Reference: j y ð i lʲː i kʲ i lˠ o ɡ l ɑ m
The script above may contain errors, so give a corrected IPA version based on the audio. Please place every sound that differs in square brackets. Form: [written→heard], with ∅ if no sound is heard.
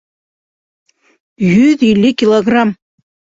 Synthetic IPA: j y ð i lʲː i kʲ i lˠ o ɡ [l→r] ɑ m